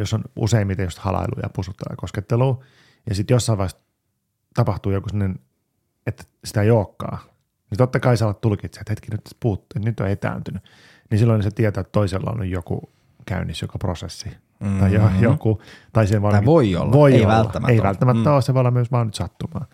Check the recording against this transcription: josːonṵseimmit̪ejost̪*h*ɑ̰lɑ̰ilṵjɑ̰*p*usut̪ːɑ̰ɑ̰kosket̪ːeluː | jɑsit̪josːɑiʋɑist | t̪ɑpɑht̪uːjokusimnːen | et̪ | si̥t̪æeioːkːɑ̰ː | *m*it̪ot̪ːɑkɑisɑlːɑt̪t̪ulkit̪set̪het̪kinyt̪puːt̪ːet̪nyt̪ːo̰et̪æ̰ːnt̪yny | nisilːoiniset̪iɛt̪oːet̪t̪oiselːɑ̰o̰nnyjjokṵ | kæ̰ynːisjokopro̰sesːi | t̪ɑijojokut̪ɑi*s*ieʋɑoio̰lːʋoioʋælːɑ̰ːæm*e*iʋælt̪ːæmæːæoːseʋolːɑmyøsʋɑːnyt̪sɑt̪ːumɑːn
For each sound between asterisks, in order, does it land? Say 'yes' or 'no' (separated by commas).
yes, yes, no, yes, yes